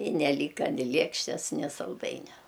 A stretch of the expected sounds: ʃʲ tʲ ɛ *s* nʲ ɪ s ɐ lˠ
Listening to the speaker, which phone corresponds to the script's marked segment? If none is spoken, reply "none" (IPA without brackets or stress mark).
s